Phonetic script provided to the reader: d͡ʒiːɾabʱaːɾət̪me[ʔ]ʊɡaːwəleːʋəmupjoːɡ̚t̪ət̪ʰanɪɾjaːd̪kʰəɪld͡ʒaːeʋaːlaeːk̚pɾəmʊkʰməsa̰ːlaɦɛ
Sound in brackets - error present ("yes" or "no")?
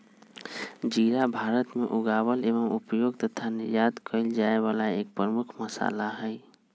no